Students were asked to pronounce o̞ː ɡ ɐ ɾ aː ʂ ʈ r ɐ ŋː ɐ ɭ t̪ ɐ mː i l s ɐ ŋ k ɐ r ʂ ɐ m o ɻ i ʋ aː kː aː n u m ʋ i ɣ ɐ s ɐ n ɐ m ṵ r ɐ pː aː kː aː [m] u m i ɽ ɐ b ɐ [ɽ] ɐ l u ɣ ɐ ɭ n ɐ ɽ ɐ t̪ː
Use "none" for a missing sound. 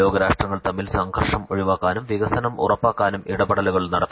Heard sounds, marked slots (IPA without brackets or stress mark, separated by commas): n, ɽ